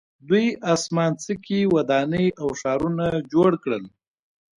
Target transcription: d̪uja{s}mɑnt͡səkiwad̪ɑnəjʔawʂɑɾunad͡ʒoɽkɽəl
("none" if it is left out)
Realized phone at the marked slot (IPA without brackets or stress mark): s